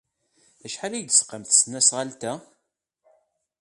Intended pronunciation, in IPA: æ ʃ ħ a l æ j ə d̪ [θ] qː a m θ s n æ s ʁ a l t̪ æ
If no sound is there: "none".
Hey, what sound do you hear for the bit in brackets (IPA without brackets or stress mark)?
s